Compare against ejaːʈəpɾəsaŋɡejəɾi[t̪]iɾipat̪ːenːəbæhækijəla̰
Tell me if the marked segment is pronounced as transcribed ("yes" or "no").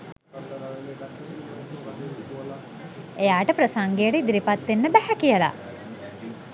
no